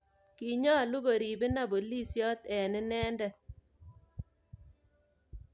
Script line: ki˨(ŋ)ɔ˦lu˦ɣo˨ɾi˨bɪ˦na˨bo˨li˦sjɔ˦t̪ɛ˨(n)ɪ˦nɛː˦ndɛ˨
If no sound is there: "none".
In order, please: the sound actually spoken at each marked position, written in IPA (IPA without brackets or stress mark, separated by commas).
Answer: ɲ, n